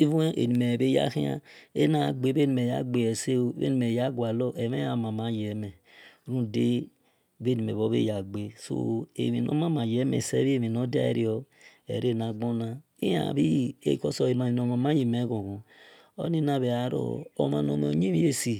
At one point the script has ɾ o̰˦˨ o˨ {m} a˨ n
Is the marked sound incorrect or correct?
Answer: correct